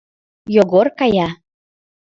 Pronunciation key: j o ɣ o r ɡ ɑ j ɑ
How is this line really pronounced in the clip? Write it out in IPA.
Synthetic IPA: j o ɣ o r k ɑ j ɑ

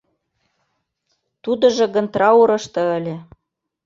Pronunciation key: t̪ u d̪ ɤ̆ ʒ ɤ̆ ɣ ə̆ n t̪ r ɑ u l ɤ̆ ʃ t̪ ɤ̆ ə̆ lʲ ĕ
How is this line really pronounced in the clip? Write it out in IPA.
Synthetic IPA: t̪ u d̪ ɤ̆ ʒ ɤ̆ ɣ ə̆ n t̪ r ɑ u ɾ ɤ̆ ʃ t̪ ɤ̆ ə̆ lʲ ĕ

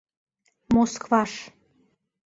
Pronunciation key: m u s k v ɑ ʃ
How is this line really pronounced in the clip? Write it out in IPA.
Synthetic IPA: m o s k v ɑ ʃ

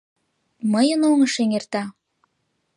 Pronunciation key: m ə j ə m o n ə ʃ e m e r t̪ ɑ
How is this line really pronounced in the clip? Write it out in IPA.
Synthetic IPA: m ə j ə n o ŋ ə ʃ e ŋ e r t̪ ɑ

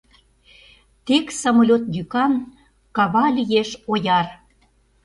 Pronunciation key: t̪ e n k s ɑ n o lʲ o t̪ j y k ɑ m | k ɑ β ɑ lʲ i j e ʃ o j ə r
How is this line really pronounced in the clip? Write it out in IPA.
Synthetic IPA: t̪ e k s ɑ m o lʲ o t̪ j y k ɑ n | k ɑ β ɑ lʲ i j e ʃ o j ɑ r

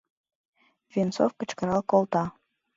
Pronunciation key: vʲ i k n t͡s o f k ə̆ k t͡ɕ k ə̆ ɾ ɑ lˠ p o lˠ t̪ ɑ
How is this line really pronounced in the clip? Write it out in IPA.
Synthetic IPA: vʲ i n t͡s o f k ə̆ t͡ɕ k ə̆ ɾ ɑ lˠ k o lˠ t̪ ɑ

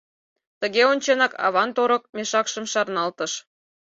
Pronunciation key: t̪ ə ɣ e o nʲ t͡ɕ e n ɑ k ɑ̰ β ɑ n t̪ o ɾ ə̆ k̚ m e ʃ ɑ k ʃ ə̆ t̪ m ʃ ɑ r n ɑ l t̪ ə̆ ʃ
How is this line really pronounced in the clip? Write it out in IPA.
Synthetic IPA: t̪ ə ɣ e o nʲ t͡ɕ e n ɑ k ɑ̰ β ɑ n t̪ o ɾ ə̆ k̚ m e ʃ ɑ k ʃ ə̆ m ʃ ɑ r n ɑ l t̪ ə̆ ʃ

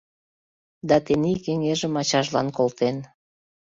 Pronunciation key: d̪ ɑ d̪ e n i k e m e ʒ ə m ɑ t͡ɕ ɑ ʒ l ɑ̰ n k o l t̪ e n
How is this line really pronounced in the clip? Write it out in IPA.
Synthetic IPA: d̪ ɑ t̪ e n i k e ŋ e ʒ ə m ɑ t͡ɕ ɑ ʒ l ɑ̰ n k o l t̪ e n

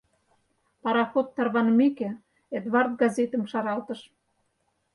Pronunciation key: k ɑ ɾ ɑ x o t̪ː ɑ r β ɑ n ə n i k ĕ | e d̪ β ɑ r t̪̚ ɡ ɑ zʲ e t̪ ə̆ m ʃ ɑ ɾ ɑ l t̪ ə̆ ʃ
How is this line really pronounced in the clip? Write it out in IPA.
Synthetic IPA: p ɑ ɾ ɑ x o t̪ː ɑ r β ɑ n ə m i k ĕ | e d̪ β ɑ r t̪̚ ɡ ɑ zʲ e t̪ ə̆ m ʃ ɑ ɾ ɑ l t̪ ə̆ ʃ

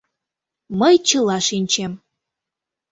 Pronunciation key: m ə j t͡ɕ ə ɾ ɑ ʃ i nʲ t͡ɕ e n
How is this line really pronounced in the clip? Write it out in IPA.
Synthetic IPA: m ə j t͡ɕ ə l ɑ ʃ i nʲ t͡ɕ e m

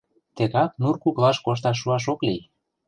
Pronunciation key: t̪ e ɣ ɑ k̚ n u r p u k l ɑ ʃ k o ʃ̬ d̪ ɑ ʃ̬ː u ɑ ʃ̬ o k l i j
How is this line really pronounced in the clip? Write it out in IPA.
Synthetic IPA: t̪ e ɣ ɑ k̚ n u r k u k l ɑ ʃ k o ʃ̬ t̪ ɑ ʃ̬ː u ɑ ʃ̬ o k l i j

